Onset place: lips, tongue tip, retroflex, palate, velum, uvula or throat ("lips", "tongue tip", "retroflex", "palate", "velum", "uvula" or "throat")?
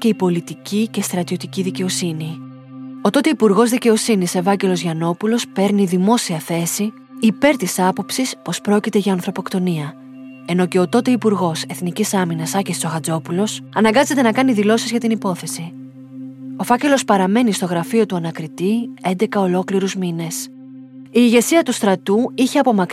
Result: palate